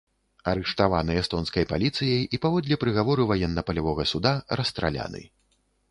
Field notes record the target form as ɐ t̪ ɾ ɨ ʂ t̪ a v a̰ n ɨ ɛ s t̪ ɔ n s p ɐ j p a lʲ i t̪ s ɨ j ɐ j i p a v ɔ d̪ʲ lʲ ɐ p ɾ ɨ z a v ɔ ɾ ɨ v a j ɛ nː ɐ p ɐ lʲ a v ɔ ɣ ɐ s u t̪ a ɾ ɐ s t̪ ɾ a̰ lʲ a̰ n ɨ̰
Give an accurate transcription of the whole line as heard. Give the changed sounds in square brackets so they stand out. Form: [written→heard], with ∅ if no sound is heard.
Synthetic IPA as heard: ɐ [t̪→∅] ɾ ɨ ʂ t̪ a v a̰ n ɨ ɛ s t̪ ɔ n s [p→k] ɐ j p a lʲ i t̪ s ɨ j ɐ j i p a v ɔ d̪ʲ lʲ ɐ p ɾ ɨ [z→ɣ] a v ɔ ɾ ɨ v a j ɛ nː ɐ p ɐ lʲ a v ɔ ɣ ɐ s u [t̪→d̪] a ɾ ɐ s t̪ ɾ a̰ lʲ a̰ n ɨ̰